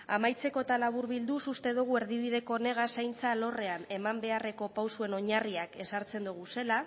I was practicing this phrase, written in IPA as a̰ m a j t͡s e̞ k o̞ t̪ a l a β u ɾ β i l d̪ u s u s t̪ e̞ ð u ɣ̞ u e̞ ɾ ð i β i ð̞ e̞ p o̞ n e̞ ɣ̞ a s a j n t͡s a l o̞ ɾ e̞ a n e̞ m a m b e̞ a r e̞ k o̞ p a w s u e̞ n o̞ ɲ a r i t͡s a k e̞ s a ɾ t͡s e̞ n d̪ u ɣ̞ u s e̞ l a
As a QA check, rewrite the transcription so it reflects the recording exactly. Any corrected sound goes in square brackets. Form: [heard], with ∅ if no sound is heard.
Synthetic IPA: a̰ m a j t͡s e̞ k o̞ t̪ a l a β u ɾ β i l d̪ u s u s t̪ e̞ ð u ɣ̞ u e̞ ɾ ð i β i ð̞ e̞ [k] o̞ n e̞ ɣ̞ a s a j n t͡s a l o̞ [r] e̞ a n e̞ m a m b e̞ a r e̞ k o̞ p a w s u e̞ n o̞ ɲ a r i [∅] a k e̞ s a ɾ t͡s e̞ n d̪ u ɣ̞ u s e̞ l a